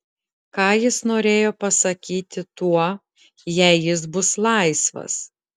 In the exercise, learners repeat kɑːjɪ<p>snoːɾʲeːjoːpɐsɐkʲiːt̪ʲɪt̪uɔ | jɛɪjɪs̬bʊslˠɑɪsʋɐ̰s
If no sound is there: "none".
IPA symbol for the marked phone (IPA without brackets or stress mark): none